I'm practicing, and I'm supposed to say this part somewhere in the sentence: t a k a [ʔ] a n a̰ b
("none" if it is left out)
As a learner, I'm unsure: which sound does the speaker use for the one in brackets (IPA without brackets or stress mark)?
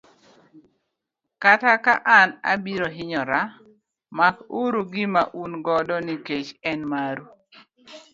ʔ